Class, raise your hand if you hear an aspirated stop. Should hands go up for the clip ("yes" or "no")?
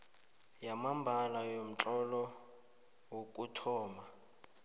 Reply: yes